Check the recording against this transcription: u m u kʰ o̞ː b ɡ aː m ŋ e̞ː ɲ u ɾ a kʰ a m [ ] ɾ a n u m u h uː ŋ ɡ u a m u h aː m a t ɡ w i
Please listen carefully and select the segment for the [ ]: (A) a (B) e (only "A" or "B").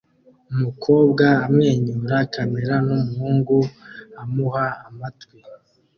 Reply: B